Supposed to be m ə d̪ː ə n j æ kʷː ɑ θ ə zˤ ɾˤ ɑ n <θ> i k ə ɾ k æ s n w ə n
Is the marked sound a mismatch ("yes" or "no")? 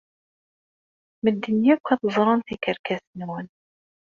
no